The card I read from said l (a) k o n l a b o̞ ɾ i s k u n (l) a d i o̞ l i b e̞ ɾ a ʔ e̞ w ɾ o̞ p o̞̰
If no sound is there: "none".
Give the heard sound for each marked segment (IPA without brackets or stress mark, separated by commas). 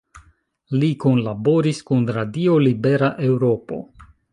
i, ɾ